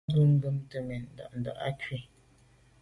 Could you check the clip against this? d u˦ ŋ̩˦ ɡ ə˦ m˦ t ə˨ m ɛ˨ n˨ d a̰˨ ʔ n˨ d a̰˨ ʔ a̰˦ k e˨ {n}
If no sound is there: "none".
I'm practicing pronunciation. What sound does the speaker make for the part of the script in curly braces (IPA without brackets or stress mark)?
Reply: none